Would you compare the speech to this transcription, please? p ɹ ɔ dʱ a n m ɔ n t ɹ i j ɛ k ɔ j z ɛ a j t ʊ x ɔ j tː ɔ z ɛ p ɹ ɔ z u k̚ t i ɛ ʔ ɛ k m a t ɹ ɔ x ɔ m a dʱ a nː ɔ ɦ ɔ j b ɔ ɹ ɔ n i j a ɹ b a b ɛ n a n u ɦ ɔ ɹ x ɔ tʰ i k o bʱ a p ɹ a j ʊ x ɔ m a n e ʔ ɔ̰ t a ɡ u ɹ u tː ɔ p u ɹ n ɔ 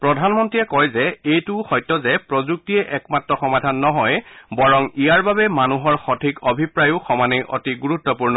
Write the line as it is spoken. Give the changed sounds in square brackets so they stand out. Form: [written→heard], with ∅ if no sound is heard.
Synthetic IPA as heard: p ɹ ɔ dʱ a n m ɔ n t ɹ i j ɛ k ɔ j z ɛ [a→e] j t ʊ x ɔ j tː ɔ z ɛ p ɹ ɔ z u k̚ t i ɛ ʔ ɛ k m a t ɹ ɔ x ɔ m a dʱ a nː ɔ ɦ ɔ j b ɔ ɹ ɔ [n→ŋ] i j a ɹ b a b ɛ [n→m] a n u ɦ ɔ ɹ x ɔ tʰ i k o bʱ [a→i] p ɹ a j ʊ x ɔ m a n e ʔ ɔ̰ t [a→i] ɡ u ɹ u tː ɔ p u ɹ n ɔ